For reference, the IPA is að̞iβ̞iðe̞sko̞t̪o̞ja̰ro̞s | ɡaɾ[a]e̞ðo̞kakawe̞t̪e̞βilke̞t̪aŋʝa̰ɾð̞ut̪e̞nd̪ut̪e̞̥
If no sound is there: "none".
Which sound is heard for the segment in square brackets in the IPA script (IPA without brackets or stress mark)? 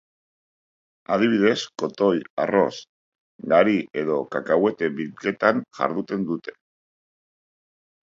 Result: i